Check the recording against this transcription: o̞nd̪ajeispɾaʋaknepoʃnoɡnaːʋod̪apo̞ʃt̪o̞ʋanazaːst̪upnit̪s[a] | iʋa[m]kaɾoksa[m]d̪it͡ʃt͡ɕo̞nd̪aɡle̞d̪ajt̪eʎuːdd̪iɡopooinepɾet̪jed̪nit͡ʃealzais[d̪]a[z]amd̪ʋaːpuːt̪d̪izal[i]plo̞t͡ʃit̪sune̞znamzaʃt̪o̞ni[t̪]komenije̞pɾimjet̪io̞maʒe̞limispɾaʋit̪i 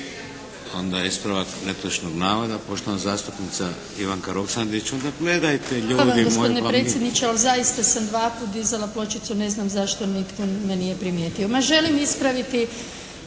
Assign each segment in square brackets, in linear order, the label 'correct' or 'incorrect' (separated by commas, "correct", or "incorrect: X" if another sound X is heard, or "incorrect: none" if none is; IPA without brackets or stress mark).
correct, incorrect: ŋ, incorrect: n, incorrect: t̪, incorrect: s, incorrect: a, correct